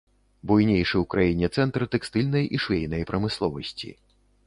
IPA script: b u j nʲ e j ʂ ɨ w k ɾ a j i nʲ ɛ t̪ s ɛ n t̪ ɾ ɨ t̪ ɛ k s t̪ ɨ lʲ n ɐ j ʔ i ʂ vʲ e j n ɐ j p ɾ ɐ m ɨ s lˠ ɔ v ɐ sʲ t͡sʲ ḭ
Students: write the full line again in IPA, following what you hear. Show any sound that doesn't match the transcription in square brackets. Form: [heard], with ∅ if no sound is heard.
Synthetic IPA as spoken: b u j nʲ e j ʂ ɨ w k ɾ a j i nʲ ɛ t̪ s ɛ n t̪ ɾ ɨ t̪ ɛ k s t̪ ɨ lʲ n ɐ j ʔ i ʂ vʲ e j n ɐ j p ɾ ɐ m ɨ s lˠ ɔ v ɐ sʲ t͡sʲ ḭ